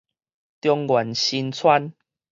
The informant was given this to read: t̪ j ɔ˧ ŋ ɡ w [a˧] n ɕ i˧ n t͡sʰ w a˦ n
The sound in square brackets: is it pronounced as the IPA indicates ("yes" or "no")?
no